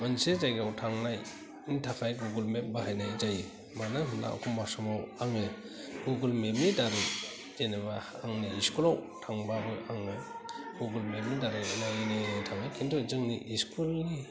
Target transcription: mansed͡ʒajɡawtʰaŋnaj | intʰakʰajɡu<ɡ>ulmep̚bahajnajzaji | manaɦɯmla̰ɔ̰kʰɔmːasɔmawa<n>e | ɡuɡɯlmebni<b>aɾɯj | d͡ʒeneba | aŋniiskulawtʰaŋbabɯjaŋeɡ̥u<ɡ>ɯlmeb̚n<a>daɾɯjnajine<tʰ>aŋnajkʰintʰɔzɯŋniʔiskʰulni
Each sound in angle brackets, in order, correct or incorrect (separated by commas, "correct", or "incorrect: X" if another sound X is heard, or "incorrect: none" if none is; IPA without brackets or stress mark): correct, incorrect: ŋ, incorrect: d, correct, incorrect: i, correct